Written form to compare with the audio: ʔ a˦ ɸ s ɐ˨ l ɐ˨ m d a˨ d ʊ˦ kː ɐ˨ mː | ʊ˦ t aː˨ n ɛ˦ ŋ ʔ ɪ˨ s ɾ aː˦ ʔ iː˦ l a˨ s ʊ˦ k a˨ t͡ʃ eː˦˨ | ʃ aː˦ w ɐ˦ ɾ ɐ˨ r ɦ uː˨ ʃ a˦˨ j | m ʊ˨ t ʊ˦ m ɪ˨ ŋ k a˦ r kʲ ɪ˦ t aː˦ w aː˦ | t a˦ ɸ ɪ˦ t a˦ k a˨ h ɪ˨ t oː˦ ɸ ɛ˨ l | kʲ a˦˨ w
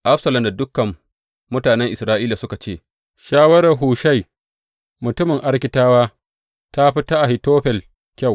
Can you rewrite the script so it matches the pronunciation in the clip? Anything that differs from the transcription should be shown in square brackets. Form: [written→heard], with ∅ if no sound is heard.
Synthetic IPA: ʔ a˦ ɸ s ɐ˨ l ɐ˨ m d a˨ d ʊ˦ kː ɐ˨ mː | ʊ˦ t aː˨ n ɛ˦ ŋ ʔ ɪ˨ s ɾ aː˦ ʔ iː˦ l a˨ s ʊ˦ k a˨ t͡ʃ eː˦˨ | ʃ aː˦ w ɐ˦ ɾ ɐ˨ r ɦ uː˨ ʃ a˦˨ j | m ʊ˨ t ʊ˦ m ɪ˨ ŋ [k→ʔ] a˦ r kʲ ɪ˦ t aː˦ w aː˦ | t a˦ ɸ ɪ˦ t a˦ [k→ʔ] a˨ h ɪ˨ t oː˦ ɸ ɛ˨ l | kʲ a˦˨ w